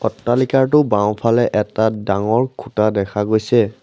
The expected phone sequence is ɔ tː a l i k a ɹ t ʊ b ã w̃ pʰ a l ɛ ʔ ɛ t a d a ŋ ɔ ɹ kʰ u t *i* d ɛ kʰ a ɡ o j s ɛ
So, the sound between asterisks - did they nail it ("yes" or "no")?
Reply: no